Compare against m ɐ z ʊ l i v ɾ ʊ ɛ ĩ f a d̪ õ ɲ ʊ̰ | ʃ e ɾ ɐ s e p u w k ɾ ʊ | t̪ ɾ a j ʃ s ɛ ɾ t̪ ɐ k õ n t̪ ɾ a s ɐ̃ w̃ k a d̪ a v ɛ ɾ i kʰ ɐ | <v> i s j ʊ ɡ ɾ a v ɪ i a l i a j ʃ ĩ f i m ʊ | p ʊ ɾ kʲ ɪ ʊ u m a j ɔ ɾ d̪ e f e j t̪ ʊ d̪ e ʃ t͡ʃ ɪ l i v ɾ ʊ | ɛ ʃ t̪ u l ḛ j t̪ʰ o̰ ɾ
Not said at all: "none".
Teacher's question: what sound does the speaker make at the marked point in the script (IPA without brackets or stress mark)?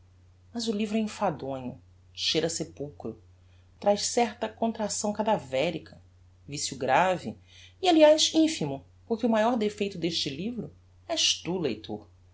v